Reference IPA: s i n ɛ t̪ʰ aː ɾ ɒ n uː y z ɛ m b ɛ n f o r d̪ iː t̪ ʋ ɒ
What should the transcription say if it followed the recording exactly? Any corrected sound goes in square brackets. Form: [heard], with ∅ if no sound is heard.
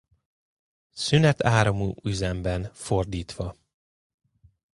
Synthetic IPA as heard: s [y] n ɛ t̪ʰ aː ɾ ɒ [m] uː y z ɛ m b ɛ n f o r d̪ iː t̪ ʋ ɒ